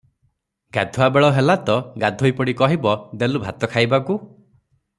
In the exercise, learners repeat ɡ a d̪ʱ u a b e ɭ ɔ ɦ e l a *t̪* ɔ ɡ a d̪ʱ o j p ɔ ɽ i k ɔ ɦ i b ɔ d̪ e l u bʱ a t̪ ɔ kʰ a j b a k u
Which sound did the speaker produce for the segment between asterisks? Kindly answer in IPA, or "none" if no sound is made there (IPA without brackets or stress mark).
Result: t̪